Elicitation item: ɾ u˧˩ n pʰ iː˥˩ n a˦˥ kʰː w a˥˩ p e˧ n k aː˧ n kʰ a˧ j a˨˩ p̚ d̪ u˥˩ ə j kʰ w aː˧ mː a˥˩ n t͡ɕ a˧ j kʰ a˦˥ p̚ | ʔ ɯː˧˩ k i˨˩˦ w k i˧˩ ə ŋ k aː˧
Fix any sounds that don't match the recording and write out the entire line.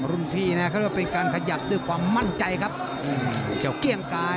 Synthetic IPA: ɾ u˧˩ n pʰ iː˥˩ n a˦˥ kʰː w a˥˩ p e˧ n k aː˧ n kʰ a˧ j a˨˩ p̚ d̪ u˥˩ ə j kʰ w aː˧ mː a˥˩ n t͡ɕ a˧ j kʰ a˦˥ p̚ | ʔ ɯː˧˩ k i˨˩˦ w k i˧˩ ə ŋ k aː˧